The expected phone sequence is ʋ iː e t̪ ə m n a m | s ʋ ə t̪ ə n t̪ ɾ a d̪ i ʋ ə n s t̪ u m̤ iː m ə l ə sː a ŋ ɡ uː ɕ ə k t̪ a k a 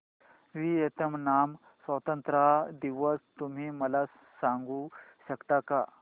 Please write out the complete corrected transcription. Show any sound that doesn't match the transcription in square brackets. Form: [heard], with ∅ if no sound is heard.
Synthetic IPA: ʋ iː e t̪ ə m n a m | s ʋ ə t̪ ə n t̪ ɾ a d̪ i ʋ ə [∅] s t̪ u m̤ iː m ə l [a] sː a ŋ ɡ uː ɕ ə k t̪ a k a